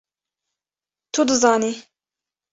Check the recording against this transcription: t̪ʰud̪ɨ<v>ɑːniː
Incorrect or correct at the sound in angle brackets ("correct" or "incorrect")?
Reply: incorrect